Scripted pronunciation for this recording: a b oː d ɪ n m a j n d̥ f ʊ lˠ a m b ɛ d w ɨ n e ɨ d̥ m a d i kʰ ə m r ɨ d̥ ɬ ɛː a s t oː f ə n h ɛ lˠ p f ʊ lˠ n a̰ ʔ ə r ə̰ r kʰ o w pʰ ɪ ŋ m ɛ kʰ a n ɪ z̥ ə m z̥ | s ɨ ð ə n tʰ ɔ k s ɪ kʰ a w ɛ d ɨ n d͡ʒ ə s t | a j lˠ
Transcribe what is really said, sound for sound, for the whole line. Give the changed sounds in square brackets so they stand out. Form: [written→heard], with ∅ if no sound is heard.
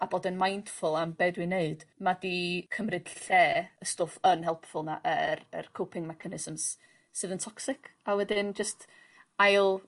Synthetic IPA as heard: a b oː d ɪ n m a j n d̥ f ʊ lˠ a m b ɛ d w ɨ n e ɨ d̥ m a d i kʰ ə m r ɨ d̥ ɬ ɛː [a→ə] s t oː f ə n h ɛ lˠ p f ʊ lˠ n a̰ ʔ ə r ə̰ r kʰ o w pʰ ɪ ŋ m ɛ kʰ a n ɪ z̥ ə m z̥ | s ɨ ð ə n tʰ ɔ k s ɪ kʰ a w ɛ d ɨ n d͡ʒ ə s t | a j lˠ